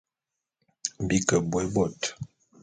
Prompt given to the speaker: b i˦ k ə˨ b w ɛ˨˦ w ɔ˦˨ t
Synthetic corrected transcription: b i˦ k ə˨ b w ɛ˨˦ b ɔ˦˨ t